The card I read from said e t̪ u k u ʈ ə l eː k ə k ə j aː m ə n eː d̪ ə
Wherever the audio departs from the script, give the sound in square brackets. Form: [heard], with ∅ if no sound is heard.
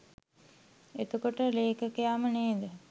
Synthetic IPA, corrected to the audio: e t̪ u k [o] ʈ ə l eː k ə k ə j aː m ə n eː d̪ ə